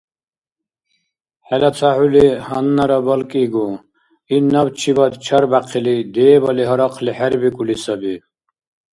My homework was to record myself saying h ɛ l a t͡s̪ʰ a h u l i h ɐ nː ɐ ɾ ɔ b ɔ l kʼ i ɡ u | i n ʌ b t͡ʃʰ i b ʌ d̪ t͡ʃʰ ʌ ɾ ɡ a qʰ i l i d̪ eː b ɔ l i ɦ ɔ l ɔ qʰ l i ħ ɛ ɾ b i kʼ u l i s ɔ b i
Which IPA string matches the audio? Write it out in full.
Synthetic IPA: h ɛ l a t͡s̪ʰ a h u l i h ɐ nː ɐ ɾ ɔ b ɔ l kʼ i ɡ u | i n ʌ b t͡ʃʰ i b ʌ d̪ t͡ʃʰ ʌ ɾ b a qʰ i l i d̪ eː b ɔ l i ɦ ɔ ɾ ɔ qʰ l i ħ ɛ ɾ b i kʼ u l i s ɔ b i